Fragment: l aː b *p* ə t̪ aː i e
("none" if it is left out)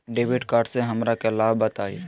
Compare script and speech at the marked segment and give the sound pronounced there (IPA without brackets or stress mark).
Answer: b